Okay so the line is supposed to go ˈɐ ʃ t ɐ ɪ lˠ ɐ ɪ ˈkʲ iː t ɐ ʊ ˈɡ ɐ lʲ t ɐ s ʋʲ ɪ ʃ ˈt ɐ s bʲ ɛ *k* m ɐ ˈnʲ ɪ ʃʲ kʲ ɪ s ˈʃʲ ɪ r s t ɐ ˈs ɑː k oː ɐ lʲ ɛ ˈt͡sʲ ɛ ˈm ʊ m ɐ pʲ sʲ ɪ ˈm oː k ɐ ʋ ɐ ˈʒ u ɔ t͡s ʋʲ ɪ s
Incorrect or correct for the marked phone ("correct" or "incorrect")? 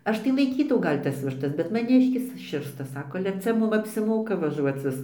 incorrect